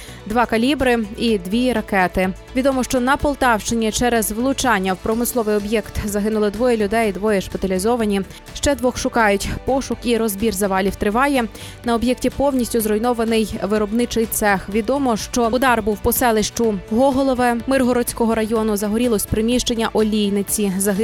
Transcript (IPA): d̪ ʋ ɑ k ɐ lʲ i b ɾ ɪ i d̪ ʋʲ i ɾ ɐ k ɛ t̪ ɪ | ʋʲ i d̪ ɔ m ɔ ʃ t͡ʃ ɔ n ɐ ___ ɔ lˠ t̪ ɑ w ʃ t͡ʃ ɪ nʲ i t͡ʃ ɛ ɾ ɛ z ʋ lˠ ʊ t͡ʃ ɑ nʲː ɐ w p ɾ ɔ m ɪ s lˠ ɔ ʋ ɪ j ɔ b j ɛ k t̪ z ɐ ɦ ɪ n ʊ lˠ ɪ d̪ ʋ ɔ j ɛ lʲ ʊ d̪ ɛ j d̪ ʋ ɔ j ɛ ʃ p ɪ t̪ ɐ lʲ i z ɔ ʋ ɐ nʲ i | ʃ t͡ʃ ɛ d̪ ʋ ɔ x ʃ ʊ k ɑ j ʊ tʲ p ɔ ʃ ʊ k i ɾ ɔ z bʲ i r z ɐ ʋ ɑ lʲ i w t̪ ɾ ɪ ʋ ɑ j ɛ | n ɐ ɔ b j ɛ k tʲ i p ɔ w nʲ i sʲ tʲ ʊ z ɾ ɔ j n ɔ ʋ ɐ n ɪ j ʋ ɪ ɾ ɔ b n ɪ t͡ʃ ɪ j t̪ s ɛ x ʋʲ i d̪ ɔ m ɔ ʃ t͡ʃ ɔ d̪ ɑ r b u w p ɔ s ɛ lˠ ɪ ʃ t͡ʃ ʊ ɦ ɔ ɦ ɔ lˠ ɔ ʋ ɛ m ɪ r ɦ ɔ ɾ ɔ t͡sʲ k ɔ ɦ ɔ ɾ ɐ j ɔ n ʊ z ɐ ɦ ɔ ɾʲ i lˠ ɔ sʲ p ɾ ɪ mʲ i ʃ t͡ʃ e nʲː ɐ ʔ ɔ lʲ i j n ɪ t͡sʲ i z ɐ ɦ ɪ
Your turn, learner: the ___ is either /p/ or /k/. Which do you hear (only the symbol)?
p